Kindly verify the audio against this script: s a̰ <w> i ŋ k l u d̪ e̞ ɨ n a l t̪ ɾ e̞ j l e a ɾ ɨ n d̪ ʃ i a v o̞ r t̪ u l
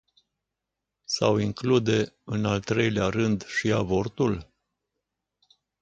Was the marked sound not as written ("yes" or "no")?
no